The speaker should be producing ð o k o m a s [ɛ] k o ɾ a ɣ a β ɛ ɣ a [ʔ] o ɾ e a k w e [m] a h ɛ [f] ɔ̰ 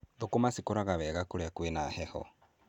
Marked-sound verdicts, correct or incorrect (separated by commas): incorrect, incorrect, incorrect, incorrect